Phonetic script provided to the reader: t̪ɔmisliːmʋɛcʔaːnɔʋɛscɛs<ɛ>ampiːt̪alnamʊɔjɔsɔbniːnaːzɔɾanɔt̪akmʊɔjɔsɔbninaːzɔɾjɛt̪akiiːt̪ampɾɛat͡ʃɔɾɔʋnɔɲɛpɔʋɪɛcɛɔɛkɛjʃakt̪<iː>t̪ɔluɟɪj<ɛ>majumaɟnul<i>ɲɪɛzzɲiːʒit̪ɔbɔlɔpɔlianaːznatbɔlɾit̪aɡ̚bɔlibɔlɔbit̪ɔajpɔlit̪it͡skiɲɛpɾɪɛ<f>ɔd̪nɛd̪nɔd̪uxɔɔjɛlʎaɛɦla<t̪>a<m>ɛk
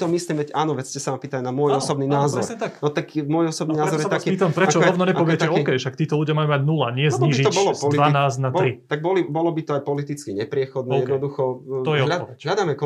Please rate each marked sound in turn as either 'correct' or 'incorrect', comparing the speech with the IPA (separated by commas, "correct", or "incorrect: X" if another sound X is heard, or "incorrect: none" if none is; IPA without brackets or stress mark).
incorrect: a, correct, incorrect: a, incorrect: a, incorrect: x, incorrect: d̪, correct